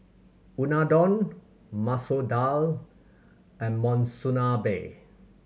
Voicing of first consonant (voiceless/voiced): voiced